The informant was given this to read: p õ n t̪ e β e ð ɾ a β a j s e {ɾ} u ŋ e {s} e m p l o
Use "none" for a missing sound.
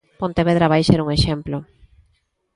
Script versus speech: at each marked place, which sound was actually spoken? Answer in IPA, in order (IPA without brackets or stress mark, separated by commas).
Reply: ɾ, ʃ